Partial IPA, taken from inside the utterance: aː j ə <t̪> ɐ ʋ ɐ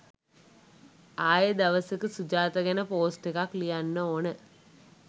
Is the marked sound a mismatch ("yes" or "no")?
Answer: yes